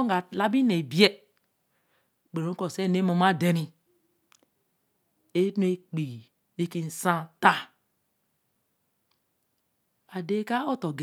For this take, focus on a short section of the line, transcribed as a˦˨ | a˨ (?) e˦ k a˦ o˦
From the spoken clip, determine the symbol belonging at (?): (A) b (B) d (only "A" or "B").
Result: B